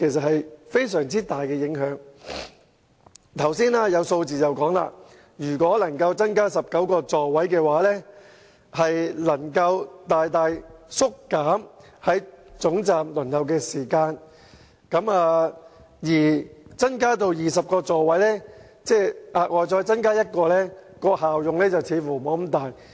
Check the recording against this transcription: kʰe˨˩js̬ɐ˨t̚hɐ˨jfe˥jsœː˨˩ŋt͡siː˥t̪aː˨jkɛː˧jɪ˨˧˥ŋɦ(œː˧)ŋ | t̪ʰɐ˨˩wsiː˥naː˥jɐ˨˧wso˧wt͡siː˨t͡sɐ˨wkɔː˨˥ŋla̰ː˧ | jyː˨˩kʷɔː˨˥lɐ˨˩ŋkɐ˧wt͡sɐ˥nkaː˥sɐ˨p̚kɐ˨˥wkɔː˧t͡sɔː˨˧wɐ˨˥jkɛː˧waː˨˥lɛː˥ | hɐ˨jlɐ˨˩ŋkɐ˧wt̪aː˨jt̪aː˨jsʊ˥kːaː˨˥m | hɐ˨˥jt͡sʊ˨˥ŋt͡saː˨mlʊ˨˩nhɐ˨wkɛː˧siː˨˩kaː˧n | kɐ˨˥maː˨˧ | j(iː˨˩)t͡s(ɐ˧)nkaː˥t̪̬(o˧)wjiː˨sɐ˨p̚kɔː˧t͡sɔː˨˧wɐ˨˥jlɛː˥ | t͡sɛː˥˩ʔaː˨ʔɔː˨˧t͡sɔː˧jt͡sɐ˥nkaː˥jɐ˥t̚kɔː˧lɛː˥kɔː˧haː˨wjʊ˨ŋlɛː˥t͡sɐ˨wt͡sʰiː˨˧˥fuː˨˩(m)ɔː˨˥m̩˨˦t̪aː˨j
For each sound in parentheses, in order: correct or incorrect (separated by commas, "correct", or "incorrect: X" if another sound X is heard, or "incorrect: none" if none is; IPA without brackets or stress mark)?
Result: incorrect: œː˨˥, correct, incorrect: ɐ˥, correct, correct